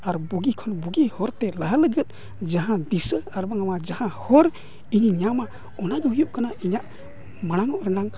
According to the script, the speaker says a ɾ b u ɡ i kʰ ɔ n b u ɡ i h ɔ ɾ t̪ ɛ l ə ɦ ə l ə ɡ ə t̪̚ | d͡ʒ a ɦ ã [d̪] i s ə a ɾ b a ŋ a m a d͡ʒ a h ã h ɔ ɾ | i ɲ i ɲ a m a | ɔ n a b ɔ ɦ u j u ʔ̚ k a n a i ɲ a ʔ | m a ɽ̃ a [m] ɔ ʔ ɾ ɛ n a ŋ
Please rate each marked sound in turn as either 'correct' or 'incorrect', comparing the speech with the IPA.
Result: correct, incorrect: ŋ

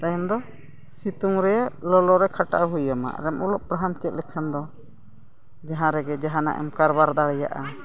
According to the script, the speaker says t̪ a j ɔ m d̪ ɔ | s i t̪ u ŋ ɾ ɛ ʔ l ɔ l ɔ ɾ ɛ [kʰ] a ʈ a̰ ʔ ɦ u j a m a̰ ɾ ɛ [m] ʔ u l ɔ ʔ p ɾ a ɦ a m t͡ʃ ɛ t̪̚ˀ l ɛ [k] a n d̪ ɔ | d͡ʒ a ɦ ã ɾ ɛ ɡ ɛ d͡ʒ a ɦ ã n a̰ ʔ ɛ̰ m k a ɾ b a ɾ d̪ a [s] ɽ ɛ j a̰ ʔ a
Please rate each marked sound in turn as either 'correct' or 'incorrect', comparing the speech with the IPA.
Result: correct, correct, incorrect: kʰ, incorrect: none

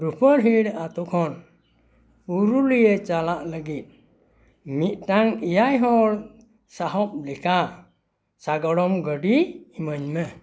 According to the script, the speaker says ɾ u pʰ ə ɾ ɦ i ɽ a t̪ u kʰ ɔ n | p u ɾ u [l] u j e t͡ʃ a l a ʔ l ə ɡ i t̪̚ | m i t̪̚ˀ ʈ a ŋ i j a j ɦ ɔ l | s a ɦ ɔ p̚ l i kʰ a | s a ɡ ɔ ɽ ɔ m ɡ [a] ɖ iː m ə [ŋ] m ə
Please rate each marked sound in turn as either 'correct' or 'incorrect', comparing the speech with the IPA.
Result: correct, incorrect: ə, incorrect: ɲ

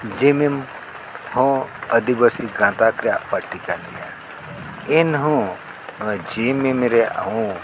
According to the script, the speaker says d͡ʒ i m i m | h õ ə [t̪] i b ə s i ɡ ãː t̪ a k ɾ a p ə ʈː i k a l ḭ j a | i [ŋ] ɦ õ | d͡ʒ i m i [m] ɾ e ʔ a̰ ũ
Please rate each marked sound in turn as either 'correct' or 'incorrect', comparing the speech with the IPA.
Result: incorrect: d̪, incorrect: n, correct

